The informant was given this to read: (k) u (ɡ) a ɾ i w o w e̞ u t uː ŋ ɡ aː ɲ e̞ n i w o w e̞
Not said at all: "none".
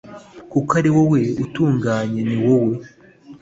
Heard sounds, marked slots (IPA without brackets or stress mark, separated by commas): k, k